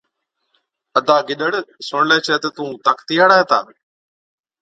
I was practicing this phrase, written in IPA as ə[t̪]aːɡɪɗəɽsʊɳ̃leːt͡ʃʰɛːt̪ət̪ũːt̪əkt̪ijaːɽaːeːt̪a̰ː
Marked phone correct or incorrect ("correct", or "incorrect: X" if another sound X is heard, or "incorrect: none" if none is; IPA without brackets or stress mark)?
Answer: incorrect: d̪